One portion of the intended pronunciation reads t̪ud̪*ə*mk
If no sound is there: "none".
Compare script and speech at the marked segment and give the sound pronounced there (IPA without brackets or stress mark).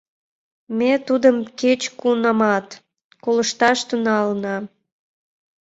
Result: ə